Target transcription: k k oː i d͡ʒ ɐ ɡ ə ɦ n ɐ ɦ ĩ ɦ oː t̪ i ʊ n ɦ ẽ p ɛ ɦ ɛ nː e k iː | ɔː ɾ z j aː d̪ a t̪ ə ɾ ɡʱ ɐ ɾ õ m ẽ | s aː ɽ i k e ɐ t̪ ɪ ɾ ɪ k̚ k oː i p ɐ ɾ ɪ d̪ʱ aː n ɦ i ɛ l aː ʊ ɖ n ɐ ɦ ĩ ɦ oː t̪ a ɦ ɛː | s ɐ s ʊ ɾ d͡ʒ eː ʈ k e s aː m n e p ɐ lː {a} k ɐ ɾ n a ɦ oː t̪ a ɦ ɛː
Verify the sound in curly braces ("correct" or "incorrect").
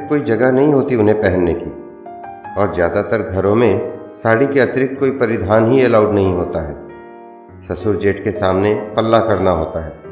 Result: correct